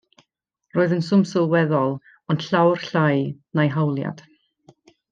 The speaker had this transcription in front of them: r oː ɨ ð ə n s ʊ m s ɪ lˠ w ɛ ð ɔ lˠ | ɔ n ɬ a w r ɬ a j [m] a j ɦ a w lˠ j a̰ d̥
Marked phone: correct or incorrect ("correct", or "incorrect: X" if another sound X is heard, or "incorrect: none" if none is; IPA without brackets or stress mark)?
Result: incorrect: n